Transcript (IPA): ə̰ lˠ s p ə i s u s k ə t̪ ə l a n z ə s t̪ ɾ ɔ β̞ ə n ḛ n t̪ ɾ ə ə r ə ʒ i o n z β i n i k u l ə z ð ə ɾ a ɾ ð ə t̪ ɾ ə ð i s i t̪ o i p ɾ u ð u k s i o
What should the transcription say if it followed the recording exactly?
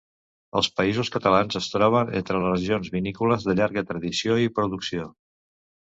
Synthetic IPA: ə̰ lˠ s p ə i z u s k ə t̪ ə l a n z ə s t̪ ɾ ɔ β̞ ə n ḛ n t̪ ɾ ə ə r ə ʒ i o n z β i n i k u l ə z ð ə ʎ a ɾ ɣ ə t̪ ɾ ə ð i s i o i p ɾ u ð u k s i o